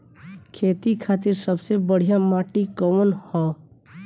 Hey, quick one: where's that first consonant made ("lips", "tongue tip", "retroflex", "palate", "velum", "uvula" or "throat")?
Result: velum